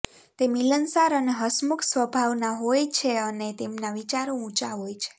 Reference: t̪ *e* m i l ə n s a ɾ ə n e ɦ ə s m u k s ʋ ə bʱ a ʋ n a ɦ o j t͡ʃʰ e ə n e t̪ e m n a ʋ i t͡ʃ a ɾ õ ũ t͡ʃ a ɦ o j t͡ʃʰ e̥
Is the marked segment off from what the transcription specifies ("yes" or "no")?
no